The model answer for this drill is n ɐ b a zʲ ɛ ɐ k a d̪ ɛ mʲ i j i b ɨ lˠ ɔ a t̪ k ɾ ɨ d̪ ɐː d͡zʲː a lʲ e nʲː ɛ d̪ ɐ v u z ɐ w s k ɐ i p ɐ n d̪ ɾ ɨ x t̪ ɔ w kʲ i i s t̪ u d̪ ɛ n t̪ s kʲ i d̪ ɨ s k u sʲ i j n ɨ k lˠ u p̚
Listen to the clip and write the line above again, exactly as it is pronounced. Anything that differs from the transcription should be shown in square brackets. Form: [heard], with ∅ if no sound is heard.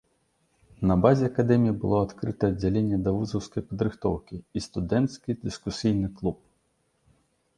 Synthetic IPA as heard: n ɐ b a zʲ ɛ ɐ k a d̪ ɛ mʲ i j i b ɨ lˠ ɔ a t̪ k ɾ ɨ [t̪] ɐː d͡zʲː a lʲ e nʲː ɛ d̪ ɐ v u z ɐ w s k ɐ [j] p ɐ [∅] d̪ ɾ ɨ x t̪ ɔ w kʲ i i s t̪ u d̪ ɛ n t̪ s kʲ i d̪ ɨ s k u sʲ i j n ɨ k lˠ u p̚